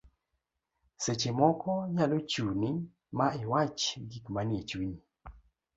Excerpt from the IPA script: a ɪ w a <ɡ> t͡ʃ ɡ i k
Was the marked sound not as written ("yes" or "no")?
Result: yes